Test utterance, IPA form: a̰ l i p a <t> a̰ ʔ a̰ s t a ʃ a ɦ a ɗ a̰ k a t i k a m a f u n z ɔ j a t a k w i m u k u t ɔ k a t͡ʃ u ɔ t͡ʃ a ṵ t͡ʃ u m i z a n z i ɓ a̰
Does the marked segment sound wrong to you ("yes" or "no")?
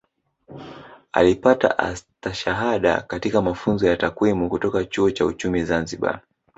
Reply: no